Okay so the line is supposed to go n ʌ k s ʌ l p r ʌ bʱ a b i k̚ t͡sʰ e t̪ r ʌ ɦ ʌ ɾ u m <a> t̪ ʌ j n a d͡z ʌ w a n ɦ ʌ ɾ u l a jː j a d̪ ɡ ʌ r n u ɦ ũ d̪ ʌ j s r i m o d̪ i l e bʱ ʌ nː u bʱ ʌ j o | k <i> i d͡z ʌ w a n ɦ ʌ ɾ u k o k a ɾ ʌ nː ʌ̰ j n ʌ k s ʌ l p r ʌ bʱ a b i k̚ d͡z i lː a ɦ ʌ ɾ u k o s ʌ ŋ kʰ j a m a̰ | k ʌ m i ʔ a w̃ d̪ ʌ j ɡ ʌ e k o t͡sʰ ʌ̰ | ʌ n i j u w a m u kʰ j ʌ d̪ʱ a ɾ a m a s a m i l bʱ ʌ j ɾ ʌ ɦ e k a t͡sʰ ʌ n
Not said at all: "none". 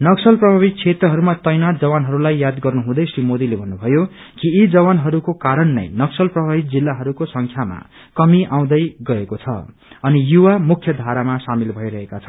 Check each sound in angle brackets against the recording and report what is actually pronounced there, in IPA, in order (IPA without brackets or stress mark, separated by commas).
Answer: a, i